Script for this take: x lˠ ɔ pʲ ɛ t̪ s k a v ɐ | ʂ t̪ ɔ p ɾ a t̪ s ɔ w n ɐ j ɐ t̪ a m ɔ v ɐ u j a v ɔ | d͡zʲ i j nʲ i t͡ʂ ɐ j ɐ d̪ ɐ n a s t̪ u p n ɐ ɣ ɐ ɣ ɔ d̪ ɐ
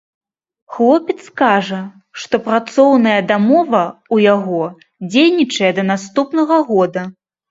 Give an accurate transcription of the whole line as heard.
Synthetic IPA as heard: x lˠ ɔ pʲ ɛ t̪ s k a ʐ ɐ | ʂ t̪ ɔ p ɾ a t̪ s ɔ w n ɐ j ɐ d̪ a m ɔ v ɐ u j a ɣ ɔ | d͡zʲ e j nʲ i t͡ʂ ɐ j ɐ d̪ ɐ n a s t̪ u p n ɐ ɣ ɐ ɣ ɔ d̪ ɐ